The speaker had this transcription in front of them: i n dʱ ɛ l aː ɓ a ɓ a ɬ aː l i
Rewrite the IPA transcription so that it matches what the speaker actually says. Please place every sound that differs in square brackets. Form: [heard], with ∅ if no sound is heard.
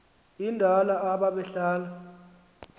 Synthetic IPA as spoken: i n dʱ [a] l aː ɓ a ɓ [ɛ] ɬ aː l [a]